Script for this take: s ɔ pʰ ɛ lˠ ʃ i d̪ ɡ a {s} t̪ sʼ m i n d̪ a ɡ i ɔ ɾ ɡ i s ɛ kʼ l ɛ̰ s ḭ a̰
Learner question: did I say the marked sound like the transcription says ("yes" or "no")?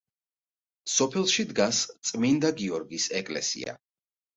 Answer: yes